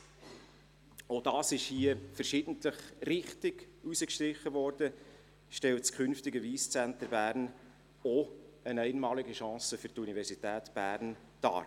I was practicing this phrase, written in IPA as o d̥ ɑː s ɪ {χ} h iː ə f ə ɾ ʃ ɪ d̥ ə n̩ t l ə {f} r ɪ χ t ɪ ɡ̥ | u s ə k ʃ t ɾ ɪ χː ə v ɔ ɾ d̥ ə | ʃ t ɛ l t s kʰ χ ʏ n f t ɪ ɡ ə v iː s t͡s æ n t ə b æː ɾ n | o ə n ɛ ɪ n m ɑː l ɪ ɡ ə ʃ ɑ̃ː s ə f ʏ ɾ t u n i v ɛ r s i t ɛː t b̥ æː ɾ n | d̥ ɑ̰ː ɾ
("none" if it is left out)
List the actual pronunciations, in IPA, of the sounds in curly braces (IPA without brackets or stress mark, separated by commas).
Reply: ʃ, χ